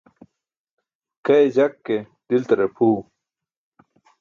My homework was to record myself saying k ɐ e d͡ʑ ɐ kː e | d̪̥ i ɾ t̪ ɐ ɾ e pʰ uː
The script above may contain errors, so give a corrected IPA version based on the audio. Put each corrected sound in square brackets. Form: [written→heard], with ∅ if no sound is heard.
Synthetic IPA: k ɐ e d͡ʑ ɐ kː e | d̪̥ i [ɾ→l] t̪ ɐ ɾ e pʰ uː